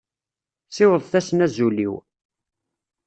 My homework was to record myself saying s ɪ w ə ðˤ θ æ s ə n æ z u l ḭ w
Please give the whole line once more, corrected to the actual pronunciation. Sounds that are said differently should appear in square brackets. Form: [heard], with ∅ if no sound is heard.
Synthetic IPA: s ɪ w ə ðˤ θ æ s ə n æ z u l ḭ w

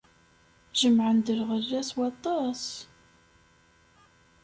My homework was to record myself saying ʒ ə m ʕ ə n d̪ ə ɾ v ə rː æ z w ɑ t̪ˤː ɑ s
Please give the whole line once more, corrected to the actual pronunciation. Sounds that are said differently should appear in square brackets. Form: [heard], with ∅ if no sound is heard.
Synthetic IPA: ʒ ə m ʕ ə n d̪ ə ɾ [ʁ] ə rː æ [s] w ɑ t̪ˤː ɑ s

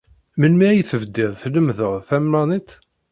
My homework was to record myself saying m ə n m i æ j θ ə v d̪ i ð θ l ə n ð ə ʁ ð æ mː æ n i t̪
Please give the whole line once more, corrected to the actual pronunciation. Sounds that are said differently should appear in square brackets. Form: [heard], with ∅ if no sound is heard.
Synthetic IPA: m ə n m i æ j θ ə v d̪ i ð θ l ə [m] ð ə ʁ [θ] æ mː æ n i t̪

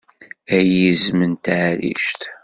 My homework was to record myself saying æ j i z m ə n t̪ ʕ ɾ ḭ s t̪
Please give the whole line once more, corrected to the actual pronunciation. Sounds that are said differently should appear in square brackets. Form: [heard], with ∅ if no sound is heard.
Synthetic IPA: æ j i z m ə n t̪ ʕ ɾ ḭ [ʃ] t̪

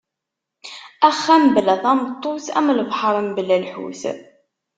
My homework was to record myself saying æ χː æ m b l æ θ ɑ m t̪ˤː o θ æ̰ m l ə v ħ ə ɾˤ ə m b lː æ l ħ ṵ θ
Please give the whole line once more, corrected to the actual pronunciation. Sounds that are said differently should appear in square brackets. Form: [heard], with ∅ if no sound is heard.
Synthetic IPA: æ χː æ m b l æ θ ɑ m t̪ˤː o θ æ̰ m l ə v ħ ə ɾˤ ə m b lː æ l ħ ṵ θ

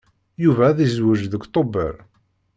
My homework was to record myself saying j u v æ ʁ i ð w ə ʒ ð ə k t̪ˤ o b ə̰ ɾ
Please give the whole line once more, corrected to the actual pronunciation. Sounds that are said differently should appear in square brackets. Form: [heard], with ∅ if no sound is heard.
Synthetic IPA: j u v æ [ð] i [z] w ə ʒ ð ə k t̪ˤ o b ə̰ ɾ

